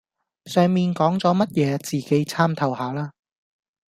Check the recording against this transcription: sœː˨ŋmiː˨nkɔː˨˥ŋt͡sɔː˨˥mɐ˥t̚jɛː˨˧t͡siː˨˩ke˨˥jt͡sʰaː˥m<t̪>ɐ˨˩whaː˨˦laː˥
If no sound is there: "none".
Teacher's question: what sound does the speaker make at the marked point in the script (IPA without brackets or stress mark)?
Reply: t̪ʰ